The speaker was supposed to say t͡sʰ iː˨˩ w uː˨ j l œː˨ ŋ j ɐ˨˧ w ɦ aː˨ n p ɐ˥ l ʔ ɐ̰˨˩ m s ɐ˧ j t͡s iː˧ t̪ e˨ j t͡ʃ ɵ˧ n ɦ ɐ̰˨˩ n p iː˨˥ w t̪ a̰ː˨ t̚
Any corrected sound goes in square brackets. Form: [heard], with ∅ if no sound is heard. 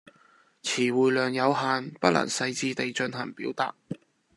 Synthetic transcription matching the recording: t͡sʰ iː˨˩ w uː˨ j l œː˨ ŋ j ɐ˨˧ w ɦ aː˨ n p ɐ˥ l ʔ ɐ̰˨˩ [ŋ] s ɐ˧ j t͡s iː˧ t̪ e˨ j t͡ʃ ɵ˧ n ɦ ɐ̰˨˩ [ŋ] p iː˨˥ w t̪ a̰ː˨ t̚